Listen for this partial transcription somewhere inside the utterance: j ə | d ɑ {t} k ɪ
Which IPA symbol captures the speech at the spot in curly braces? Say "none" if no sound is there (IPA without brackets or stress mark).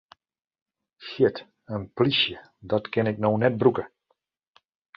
t